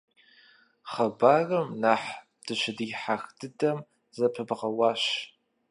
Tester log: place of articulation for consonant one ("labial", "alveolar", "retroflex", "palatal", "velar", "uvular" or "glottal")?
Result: uvular